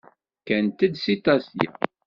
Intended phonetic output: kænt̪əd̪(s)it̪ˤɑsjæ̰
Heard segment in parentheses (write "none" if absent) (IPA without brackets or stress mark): s